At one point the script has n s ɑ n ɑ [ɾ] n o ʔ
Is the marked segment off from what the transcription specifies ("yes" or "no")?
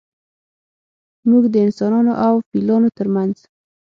yes